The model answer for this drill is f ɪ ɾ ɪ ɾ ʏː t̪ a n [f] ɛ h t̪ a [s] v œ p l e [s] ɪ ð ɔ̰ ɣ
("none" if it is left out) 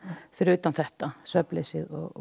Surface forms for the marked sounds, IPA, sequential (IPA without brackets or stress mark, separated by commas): θ, s, s